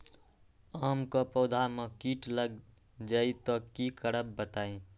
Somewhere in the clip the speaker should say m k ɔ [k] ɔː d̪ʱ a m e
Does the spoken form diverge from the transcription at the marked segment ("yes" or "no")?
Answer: yes